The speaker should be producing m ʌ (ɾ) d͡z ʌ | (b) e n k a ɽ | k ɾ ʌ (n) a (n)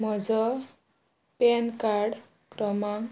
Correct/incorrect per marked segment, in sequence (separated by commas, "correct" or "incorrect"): incorrect, incorrect, incorrect, incorrect